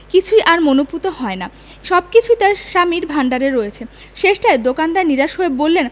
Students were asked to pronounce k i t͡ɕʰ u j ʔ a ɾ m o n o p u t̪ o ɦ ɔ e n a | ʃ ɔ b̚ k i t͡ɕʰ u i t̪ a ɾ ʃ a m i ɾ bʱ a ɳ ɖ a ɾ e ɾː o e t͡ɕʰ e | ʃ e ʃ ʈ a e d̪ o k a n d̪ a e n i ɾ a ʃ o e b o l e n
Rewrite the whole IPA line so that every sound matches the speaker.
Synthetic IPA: k i t͡ɕʰ u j ʔ a ɾ m o n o p u t̪ o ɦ ɔ e n a | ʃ ɔ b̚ k i t͡ɕʰ u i t̪ a ɾ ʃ a m i ɾ bʱ a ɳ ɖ a ɾ e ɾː o e t͡ɕʰ e | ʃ e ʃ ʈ a e d̪ o k a n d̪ a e n i ɾ a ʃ o e b o lː e n